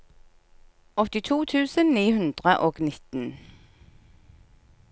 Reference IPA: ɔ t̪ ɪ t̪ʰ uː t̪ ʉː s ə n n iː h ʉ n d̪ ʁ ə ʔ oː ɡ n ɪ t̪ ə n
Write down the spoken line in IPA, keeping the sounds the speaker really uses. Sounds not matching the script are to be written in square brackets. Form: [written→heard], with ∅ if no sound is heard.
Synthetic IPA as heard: ɔ t̪ ɪ t̪ʰ uː [t̪→t̪ʰ] ʉː s ə n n iː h ʉ n d̪ ʁ ə ʔ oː ɡ n ɪ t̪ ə n